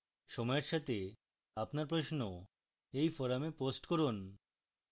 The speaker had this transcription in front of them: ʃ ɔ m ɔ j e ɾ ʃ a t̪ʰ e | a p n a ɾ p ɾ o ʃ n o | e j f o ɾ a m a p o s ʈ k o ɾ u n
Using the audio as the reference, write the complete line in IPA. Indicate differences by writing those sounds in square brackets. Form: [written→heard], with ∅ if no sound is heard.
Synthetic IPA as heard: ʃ ɔ m ɔ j e ɾ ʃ a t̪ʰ e | a p n a ɾ p ɾ o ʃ n o | e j f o ɾ a m [a→e] p o s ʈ k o ɾ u n